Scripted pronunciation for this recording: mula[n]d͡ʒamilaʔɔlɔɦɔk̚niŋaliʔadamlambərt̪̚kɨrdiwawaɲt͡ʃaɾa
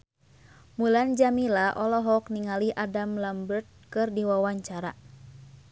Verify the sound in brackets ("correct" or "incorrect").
correct